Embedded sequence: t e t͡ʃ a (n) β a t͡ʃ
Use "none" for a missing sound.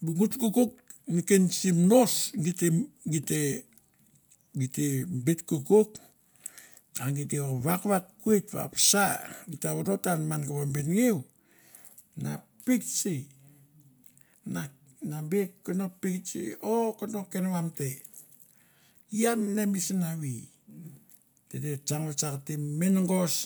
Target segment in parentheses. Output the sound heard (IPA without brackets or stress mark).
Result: ŋ